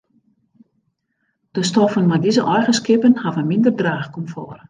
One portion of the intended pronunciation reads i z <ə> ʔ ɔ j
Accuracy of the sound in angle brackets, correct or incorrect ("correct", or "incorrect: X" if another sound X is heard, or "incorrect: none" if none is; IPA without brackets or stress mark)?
correct